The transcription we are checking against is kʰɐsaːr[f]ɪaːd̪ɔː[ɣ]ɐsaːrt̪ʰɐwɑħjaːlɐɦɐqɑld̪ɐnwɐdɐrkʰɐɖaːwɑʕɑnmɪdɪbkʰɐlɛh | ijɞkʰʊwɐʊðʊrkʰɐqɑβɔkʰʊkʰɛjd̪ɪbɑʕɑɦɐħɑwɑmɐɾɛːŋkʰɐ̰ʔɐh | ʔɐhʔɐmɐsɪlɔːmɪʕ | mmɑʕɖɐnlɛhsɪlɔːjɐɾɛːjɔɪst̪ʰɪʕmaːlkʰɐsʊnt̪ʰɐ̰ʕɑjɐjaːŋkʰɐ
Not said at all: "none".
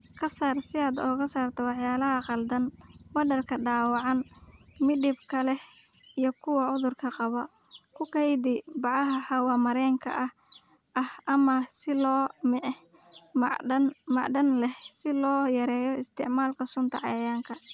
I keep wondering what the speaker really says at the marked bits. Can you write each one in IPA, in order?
s, ɣ

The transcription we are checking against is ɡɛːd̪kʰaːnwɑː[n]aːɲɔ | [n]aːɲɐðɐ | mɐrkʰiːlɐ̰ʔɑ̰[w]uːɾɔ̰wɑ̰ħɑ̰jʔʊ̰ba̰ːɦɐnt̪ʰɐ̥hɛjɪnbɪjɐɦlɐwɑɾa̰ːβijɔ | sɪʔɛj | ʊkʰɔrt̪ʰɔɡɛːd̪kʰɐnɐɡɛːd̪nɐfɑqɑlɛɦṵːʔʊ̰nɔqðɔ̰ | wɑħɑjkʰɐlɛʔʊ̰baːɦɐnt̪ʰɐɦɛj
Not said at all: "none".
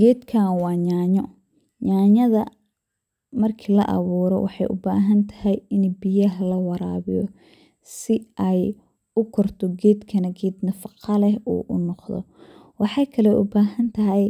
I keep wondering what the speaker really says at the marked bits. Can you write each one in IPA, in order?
ɲ, ɲ, β

